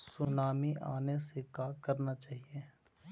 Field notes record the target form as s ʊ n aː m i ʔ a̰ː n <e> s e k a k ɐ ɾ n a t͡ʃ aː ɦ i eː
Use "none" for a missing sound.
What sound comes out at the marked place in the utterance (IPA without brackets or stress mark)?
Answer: e